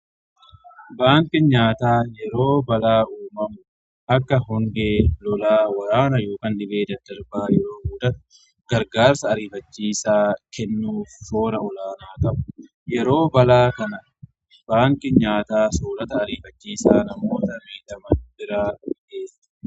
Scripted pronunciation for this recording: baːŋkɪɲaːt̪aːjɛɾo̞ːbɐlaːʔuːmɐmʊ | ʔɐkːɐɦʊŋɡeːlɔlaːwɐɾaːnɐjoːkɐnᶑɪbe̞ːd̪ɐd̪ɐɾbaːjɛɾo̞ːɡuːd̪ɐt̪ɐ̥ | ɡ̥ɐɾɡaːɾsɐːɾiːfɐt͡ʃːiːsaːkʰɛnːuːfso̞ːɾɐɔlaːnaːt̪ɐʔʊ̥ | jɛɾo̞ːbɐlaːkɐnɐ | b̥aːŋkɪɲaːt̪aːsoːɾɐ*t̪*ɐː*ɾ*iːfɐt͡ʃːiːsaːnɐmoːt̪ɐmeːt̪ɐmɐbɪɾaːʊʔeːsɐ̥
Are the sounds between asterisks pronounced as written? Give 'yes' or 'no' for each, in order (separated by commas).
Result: yes, yes